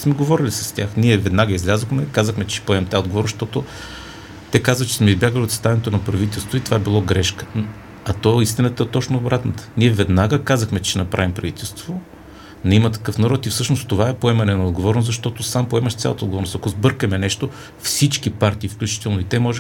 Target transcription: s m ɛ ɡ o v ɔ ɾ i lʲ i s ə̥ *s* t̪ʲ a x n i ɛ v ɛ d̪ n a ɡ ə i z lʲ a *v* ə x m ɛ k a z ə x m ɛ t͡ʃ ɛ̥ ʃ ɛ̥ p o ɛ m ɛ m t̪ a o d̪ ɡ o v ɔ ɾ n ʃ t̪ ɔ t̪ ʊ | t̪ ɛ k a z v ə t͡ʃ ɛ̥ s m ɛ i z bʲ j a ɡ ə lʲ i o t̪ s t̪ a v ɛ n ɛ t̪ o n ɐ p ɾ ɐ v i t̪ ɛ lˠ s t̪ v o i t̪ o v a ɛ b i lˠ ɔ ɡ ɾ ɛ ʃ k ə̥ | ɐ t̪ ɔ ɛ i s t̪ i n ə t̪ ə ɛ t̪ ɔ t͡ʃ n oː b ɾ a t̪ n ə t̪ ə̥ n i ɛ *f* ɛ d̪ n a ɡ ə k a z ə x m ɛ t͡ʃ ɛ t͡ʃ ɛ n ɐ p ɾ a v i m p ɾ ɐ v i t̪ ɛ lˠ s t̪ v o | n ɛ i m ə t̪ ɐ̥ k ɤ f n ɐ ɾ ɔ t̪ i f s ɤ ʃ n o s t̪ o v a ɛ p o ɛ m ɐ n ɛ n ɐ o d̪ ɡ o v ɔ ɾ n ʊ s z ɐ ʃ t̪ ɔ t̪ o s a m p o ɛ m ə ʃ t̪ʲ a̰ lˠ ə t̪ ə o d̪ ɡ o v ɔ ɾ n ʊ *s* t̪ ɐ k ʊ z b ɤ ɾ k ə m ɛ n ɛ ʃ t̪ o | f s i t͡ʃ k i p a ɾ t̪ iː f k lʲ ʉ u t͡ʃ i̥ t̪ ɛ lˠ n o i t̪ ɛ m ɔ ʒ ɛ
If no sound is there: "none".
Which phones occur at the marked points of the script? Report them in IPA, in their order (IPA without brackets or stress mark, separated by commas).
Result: s, z, v, s